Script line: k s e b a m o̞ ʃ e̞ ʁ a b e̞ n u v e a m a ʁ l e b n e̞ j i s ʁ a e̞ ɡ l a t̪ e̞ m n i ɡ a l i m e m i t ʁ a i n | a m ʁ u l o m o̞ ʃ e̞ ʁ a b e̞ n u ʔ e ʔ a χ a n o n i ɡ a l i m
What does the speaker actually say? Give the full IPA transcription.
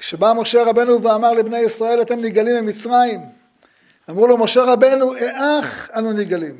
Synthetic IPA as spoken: k ʃ e b a m o̞ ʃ e̞ ʁ a b e̞ n u v e a m a ʁ l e b n e̞ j i s ʁ a e̞ l a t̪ e̞ m n i ɡ a l i m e m i t͡s ʁ a i m | a m ʁ u l o m o̞ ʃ e̞ ʁ a b e̞ n u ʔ e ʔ a χ a n u n i ɡ a l i m